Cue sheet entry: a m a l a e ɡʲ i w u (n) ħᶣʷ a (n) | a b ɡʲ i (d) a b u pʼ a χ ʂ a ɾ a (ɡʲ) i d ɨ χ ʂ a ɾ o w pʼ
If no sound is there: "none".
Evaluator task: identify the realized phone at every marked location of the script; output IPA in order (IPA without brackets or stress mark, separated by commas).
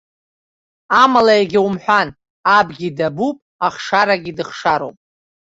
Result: m, n, d, ɡʲ